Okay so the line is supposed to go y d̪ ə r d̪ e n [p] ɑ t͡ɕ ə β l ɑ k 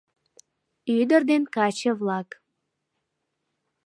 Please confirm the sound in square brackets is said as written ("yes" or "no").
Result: no